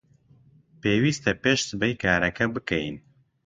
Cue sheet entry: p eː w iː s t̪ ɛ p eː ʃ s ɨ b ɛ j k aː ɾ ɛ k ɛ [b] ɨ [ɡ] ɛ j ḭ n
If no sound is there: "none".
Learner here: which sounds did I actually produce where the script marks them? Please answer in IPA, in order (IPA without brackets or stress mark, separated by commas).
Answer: b, k